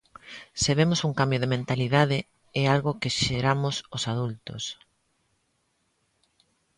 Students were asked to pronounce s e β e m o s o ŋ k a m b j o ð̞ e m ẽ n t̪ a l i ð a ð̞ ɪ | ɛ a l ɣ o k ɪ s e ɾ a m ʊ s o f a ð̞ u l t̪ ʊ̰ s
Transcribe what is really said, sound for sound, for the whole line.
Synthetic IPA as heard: s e β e m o s u ŋ k a m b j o ð̞ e m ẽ n t̪ a l i ð a ð̞ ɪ | ɛ a l ɣ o k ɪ ʃ e ɾ a m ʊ s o s a ð̞ u l t̪ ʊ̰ s

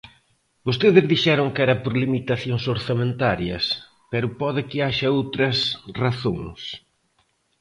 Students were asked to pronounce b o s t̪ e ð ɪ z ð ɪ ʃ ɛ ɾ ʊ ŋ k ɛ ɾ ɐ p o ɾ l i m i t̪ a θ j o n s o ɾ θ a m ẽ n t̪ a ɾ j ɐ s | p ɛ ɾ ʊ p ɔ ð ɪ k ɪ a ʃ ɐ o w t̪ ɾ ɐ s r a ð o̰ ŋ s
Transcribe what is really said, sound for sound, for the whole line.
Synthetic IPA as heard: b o s t̪ e ð ɪ z ð i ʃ ɛ ɾ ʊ ŋ k ɛ ɾ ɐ p o ɾ l i m i t̪ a θ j o ŋ s o ɾ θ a m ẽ n t̪ a ɾ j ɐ s | p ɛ ɾ ʊ p ɔ ð ɪ k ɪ a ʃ ɐ o w t̪ ɾ ɐ s r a θ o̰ ŋ s

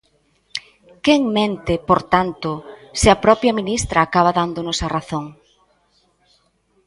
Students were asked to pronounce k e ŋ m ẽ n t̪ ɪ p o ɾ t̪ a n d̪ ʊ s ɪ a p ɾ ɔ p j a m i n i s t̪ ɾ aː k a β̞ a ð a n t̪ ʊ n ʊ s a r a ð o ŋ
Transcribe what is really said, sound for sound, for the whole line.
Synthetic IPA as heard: k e ŋ m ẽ n t̪ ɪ p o ɾ t̪ a n t̪ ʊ s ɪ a p ɾ ɔ p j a m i n i s t̪ ɾ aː k a β̞ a ð a n d̪ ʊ n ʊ s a r a θ o ŋ

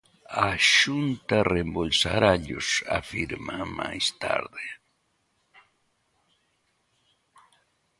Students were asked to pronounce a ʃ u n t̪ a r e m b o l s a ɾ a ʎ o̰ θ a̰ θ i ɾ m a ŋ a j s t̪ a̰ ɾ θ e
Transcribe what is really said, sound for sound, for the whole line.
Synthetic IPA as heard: a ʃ u n t̪ a r e m b o l s a ɾ a ʎ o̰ s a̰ f i ɾ m a m a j s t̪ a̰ ɾ ð e

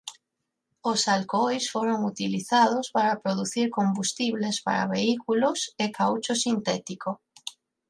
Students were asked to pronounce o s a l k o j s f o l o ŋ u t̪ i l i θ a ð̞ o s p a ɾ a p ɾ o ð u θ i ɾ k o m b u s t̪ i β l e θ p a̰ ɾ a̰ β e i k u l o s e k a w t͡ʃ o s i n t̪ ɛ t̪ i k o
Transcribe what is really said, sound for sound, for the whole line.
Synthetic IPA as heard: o s a l k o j s f o ɾ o ŋ u t̪ i l i θ a ð̞ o s p a ɾ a p ɾ o ð u θ i ɾ k o m b u s t̪ i β l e s p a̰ ɾ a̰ β e i k u l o s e k a w t͡ʃ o s i n t̪ ɛ t̪ i k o

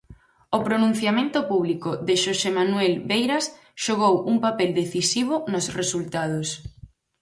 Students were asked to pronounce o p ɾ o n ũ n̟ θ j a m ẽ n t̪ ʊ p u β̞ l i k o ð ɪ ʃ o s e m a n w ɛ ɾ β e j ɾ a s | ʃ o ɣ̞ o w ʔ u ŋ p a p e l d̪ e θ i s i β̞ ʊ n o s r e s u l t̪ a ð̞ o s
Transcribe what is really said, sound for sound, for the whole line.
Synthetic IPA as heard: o p ɾ o n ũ n̟ θ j a m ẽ n t̪ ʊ p u β̞ l i k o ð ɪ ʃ o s e m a n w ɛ l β e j ɾ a s | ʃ o ɣ̞ o w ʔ u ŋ p a p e l d̪ e θ i s i β̞ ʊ n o s r e s u l t̪ a ð̞ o s

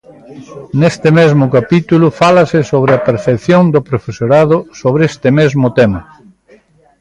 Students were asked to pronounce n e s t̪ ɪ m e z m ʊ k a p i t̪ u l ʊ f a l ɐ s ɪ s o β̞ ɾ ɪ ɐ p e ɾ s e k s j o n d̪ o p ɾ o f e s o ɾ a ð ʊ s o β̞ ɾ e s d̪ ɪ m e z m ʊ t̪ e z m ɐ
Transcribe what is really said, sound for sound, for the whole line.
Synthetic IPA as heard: n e s t̪ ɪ m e z m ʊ k a p i t̪ u l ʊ f a l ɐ s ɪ s o β̞ ɾ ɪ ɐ p e ɾ θ e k θ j o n d̪ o p ɾ o f e s o ɾ a ð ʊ s o β̞ ɾ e s t̪ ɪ m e z m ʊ t̪ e m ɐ

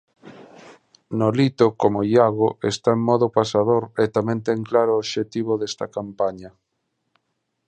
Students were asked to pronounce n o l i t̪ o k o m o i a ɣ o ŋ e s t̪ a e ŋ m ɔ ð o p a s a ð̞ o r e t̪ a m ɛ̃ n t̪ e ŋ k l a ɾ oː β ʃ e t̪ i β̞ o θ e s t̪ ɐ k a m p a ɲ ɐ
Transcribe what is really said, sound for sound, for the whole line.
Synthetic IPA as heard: n o l i t̪ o k o m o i a ɣ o e s t̪ a e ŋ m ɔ ð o p a s a ð̞ o ɾ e t̪ a m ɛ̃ n t̪ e ŋ k l a ɾ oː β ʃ e t̪ i β̞ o ð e s t̪ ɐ k a m p a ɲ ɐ

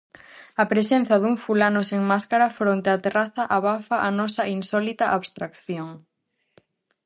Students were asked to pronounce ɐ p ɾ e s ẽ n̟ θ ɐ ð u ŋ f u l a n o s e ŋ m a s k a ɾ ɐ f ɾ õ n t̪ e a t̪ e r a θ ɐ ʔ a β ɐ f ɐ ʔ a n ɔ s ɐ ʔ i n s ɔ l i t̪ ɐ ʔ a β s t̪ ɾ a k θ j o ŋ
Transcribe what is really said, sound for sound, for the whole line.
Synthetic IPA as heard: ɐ p ɾ e s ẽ n̟ θ ɐ ð u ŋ f u l a n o s e ŋ m a s k a ɾ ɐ f ɾ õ n t̪ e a t̪ e r a θ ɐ ʔ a β a f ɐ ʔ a n ɔ s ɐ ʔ i n s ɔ l i t̪ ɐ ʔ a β s t̪ ɾ a k θ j o ŋ

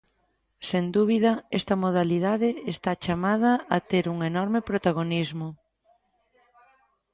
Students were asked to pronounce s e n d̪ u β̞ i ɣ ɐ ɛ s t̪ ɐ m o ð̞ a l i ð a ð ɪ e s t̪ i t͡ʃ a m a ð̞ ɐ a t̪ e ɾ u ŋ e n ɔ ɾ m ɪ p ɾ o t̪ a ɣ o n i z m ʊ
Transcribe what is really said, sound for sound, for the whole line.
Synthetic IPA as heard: s e n d̪ u β̞ i ð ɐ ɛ s t̪ ɐ m o ð̞ a l i ð a ð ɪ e s t̪ a t͡ʃ a m a ð̞ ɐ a t̪ e ɾ u ŋ e n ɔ ɾ m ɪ p ɾ o t̪ a ɣ o n i z m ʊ

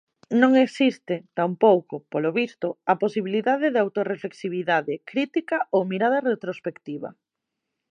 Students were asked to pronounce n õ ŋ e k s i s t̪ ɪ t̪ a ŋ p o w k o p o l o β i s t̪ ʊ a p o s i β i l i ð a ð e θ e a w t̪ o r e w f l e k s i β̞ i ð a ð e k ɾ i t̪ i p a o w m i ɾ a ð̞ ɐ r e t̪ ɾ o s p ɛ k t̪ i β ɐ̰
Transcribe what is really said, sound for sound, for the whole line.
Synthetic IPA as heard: n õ ŋ e k s i s t̪ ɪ t̪ a m p o w k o p o l o β i s t̪ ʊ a p o s i β i l i ð a ð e ð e a w t̪ o r e f l e k s i β̞ i ð a ð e k ɾ i t̪ i k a o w m i ɾ a ð̞ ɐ r e t̪ ɾ o s p e k t̪ i β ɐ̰

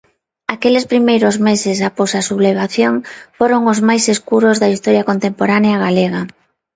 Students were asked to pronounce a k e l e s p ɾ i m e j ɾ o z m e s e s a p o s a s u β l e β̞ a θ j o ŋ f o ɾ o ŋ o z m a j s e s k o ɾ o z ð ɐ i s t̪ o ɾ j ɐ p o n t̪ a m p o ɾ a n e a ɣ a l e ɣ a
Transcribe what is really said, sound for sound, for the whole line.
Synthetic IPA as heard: a k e l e s p ɾ i m e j ɾ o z m e s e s a p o s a s u β l e β̞ a θ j o ŋ f o ɾ o ŋ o z m a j s e s k u ɾ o z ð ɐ i s t̪ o ɾ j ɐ k o n t̪ e m p o ɾ a n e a ɣ a l e ɣ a

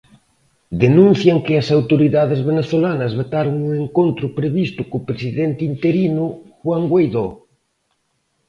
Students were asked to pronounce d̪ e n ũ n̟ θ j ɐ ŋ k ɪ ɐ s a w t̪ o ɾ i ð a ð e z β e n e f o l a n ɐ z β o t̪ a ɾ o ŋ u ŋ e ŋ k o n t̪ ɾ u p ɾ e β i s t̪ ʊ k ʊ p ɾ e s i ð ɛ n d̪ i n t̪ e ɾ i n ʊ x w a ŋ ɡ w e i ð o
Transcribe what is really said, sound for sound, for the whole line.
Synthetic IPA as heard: d̪ e n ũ n̟ θ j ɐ ŋ k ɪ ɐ s a w t̪ o ɾ i ð a ð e z β e n e θ o l a n ɐ z β o t̪ a ɾ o ŋ u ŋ e ŋ k o n t̪ ɾ ʊ p ɾ e β i s t̪ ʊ k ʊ p ɾ e s i ð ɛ n t̪ i n t̪ e ɾ i n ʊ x w a ŋ ɡ w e j ð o

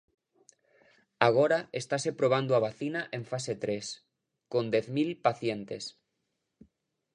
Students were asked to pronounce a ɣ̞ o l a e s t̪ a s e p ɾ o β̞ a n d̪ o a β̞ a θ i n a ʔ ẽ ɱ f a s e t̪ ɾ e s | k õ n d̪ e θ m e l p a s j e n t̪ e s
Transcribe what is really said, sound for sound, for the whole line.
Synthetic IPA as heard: a ɣ̞ o ɾ a e s t̪ a s e p ɾ o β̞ a n d̪ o a β̞ a θ i n a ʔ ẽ ɱ f a s e t̪ ɾ e s | k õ n d̪ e θ m i l p a θ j e n t̪ e s

